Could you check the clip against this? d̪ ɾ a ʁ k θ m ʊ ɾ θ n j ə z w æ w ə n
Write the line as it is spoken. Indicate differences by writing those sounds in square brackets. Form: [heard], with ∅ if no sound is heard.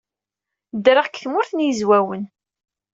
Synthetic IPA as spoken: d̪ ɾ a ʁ k θ m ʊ ɾ θ n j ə z w æ w ə n